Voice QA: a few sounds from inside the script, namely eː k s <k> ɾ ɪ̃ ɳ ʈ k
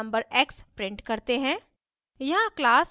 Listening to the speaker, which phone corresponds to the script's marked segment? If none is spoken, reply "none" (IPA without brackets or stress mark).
p